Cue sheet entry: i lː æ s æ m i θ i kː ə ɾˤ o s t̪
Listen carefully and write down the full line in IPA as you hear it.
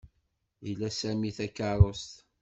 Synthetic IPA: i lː æ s æ m i θ æ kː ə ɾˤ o s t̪